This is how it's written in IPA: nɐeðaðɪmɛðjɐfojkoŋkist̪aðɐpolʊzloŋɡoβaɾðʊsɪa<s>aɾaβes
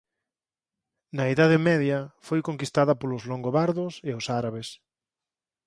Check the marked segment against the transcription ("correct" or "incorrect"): correct